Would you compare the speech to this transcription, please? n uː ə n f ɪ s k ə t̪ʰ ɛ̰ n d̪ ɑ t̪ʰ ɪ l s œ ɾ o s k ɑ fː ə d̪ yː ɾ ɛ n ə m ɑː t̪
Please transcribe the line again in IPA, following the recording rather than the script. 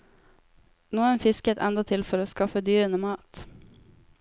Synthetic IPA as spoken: n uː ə n f ɪ s k ə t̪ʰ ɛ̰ n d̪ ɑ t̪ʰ ɪ l f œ ɾ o s k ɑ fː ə d̪ yː ɾ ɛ n ə m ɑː t̪